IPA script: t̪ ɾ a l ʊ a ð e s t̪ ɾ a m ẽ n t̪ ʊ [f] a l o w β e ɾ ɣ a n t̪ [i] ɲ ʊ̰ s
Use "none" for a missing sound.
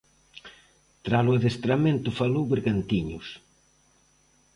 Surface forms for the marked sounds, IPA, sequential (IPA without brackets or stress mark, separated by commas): f, i